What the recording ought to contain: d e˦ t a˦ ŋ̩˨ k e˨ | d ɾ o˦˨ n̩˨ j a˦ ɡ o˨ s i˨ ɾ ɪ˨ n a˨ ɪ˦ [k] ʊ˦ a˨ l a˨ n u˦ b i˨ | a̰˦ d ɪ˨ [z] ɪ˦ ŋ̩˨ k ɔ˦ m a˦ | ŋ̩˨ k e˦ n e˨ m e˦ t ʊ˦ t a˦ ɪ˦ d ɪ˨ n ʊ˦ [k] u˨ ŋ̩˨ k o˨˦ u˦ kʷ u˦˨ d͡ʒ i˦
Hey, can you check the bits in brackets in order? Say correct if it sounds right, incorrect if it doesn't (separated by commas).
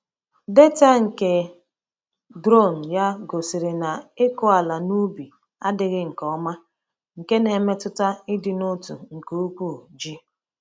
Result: correct, incorrect, incorrect